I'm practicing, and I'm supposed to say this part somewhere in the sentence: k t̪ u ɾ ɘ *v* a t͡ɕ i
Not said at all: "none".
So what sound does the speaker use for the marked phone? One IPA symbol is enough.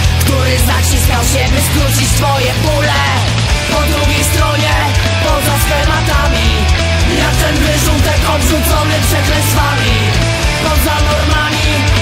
z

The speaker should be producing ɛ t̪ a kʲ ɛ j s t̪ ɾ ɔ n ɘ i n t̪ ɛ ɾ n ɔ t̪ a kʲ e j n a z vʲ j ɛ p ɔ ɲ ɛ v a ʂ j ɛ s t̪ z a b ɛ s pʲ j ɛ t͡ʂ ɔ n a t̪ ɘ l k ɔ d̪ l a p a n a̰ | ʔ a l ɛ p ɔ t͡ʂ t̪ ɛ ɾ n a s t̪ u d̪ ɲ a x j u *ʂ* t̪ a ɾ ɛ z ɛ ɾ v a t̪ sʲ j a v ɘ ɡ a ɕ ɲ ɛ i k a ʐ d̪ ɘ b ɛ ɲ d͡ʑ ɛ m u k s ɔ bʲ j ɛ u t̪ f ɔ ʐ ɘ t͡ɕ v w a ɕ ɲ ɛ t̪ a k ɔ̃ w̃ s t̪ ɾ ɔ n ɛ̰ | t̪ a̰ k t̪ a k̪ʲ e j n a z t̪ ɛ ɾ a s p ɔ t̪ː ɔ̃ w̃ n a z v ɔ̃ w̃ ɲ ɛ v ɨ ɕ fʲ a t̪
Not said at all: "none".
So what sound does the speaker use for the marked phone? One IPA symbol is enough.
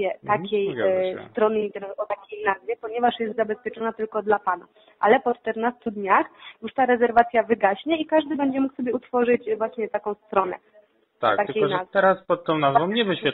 ʂ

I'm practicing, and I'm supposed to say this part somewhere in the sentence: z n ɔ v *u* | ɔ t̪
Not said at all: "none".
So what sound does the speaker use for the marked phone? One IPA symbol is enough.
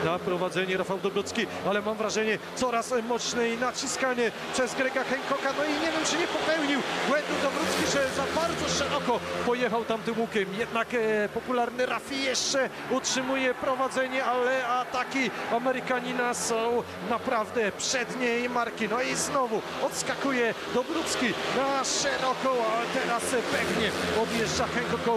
u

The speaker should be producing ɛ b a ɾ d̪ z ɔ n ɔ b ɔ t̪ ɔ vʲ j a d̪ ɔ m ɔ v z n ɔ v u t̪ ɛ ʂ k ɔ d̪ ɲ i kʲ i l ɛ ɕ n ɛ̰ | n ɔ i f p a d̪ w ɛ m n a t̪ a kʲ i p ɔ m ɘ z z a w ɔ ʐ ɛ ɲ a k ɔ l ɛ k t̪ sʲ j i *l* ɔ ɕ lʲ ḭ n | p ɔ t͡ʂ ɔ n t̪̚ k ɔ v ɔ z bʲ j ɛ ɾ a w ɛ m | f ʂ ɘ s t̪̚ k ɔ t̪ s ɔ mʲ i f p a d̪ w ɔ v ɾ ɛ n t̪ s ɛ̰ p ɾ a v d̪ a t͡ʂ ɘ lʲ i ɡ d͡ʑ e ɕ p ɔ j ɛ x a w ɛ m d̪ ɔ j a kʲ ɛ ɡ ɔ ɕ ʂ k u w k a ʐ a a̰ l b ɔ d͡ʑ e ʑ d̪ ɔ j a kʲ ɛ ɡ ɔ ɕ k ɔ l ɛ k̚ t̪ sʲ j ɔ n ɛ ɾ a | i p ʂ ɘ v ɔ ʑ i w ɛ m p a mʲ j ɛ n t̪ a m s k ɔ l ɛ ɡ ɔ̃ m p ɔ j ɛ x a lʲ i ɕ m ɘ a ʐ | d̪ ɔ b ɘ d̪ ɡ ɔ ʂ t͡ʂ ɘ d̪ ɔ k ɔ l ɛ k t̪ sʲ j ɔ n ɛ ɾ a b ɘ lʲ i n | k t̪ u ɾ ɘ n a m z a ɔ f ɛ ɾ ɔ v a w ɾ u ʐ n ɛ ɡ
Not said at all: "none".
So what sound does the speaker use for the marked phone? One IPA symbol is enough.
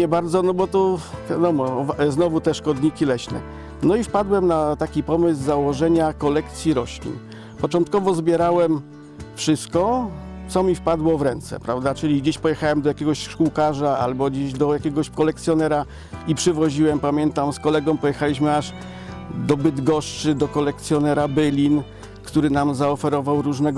ɾ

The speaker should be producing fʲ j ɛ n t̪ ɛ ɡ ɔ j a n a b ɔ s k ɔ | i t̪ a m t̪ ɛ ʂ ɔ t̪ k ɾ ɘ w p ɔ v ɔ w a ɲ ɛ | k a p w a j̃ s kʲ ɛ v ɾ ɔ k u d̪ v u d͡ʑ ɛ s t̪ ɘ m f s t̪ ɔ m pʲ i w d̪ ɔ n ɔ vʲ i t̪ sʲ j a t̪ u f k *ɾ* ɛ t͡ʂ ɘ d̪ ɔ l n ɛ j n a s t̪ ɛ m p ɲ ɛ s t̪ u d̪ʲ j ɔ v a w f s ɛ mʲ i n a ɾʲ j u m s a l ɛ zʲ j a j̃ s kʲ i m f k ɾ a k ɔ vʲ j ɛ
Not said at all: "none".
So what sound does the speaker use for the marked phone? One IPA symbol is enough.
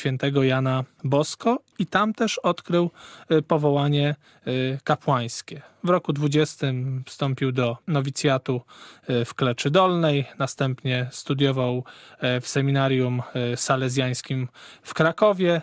l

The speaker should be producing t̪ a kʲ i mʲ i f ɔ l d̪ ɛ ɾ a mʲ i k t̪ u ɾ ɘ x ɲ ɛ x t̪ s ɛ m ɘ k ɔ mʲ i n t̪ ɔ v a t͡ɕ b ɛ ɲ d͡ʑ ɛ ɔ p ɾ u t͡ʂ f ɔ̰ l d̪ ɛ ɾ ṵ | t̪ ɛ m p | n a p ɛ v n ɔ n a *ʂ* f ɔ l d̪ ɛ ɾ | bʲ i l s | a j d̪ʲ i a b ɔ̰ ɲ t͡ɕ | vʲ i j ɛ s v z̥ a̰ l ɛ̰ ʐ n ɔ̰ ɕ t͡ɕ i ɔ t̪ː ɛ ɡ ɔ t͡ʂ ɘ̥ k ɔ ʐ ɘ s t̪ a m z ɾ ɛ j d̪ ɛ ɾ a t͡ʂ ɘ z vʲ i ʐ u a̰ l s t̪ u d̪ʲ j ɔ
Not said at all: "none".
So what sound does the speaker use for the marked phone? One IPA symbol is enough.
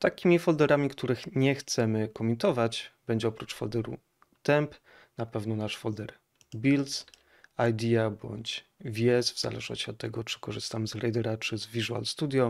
ʂ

